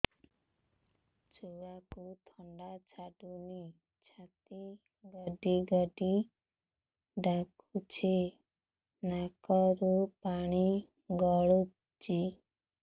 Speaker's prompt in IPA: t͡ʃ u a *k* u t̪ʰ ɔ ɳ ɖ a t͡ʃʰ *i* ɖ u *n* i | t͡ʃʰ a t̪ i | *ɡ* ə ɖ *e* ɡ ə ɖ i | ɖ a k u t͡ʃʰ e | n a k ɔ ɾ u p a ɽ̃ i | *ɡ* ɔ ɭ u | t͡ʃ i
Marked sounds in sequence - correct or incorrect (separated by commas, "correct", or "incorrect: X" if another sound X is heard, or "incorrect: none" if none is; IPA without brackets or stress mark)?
correct, incorrect: a, correct, correct, incorrect: i, correct